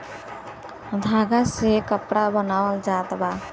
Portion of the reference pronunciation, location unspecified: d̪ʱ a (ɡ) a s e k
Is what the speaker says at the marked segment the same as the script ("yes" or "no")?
yes